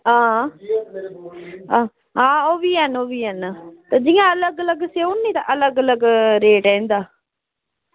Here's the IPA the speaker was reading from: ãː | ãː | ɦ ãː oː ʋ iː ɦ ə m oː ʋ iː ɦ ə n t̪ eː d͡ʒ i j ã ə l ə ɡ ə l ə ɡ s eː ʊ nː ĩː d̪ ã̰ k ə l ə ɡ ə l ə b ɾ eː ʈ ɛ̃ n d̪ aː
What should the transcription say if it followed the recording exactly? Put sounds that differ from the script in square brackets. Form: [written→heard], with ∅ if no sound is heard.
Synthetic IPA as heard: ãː | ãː | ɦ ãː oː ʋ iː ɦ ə [m→n] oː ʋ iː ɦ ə n t̪ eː d͡ʒ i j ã ə l ə ɡ ə l ə ɡ s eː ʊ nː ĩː [d̪→t̪] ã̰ [k→ʔ] ə l ə ɡ ə l ə [b→ɡ] ɾ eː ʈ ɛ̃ n d̪ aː

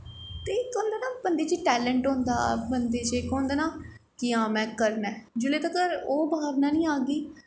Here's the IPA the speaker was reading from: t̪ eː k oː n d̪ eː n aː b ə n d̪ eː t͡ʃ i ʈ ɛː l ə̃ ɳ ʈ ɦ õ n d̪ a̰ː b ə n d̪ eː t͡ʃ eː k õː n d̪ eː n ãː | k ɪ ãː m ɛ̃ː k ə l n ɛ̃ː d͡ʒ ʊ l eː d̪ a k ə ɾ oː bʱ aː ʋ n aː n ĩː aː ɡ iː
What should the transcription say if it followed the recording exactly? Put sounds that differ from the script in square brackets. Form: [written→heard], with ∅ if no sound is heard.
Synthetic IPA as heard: t̪ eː k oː n d̪ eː n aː b ə n d̪ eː t͡ʃ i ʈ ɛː l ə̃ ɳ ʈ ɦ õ n d̪ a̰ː b ə n d̪ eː t͡ʃ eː k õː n d̪ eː n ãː | k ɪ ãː m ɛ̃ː k ə [l→ɾ] n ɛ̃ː d͡ʒ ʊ l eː [d̪→t̪] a k ə ɾ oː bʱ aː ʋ n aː n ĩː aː ɡ iː

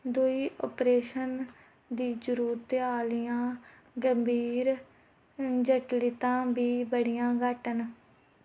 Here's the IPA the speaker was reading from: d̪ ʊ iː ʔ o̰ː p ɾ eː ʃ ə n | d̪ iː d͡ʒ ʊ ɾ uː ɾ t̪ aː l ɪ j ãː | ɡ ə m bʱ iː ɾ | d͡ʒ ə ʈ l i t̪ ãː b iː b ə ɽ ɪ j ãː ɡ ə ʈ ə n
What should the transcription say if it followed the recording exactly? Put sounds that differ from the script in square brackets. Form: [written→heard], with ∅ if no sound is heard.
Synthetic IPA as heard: d̪ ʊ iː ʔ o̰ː p ɾ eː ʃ ə n | d̪ iː d͡ʒ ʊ ɾ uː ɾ t̪ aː l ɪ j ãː | ɡ ə m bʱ iː ɾ | d͡ʒ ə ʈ l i t̪ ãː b iː b ə ɽ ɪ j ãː ɡ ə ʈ ə n

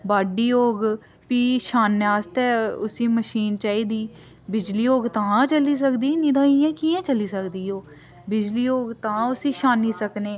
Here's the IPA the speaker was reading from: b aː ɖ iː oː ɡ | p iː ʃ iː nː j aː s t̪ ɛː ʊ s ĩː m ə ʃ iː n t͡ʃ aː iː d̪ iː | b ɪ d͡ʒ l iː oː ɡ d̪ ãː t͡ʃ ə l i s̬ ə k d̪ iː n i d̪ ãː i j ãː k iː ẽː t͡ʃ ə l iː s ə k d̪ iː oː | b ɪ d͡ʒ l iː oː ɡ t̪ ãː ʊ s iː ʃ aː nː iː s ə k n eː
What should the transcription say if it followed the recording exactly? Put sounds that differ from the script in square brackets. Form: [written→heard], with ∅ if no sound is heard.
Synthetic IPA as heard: b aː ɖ iː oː ɡ | p iː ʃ [iː→aː] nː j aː s t̪ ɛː ʊ s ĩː m ə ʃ iː n t͡ʃ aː iː d̪ iː | b ɪ d͡ʒ l iː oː ɡ [d̪→t̪] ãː t͡ʃ ə l [i→iː] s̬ ə k d̪ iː n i d̪ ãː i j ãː k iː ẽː t͡ʃ ə l iː s ə k d̪ iː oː | b ɪ d͡ʒ l iː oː ɡ t̪ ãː ʊ s iː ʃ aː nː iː s ə k n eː

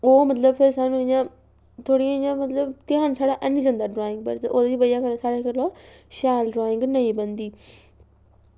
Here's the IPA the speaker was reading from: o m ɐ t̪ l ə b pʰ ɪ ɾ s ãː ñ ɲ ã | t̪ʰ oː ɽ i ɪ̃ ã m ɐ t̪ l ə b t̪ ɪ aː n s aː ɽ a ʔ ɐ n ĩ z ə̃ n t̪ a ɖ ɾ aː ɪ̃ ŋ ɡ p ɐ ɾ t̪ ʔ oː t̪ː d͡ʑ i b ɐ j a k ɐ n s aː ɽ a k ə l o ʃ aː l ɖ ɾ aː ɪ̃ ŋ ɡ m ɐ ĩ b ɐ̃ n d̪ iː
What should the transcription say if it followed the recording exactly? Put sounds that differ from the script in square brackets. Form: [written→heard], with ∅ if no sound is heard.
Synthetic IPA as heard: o m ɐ t̪ l ə b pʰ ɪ ɾ s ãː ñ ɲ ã | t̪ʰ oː ɽ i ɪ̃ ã m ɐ t̪ l ə b t̪ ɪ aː n s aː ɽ a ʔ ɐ n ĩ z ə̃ n [t̪→d̪] a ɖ ɾ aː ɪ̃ ŋ ɡ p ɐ ɾ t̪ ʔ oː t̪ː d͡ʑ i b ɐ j a k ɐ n s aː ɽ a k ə l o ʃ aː l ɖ ɾ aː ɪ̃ ŋ ɡ [m→n] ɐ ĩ b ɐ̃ n d̪ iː

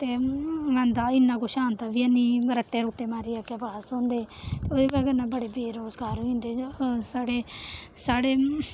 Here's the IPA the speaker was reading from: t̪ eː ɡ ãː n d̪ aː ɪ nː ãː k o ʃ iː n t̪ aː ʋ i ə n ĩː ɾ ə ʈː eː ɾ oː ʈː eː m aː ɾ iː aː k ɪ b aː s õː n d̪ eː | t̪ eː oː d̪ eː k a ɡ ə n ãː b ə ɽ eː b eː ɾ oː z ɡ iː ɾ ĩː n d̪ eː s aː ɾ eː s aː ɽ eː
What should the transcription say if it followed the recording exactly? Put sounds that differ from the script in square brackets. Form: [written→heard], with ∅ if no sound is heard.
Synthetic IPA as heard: t̪ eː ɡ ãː n d̪ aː ɪ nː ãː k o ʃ [iː→aː] n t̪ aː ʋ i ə n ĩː ɾ ə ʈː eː ɾ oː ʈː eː m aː ɾ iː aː k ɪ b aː s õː n d̪ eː | t̪ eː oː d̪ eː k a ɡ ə n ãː b ə ɽ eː b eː ɾ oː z ɡ [iː→aː] ɾ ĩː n d̪ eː s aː [ɾ→ɽ] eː s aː ɽ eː

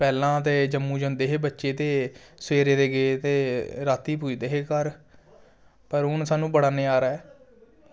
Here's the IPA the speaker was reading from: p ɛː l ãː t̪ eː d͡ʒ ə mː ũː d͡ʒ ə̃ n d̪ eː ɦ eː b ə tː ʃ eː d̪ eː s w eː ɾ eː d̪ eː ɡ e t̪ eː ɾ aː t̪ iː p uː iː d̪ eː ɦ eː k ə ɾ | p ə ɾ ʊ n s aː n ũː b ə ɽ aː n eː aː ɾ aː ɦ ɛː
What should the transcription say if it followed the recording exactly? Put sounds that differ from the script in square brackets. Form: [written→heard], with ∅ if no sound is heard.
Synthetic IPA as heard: p ɛː l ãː t̪ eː d͡ʒ ə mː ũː d͡ʒ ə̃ n d̪ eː ɦ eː b ə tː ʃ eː [d̪→t̪] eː s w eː ɾ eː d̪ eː ɡ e t̪ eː ɾ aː t̪ iː p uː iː d̪ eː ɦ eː k ə ɾ | p ə ɾ ʊ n s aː n ũː b ə ɽ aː n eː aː ɾ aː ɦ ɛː

